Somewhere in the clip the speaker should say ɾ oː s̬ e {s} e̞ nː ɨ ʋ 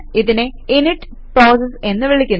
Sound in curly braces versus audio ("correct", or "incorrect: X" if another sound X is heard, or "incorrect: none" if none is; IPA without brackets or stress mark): correct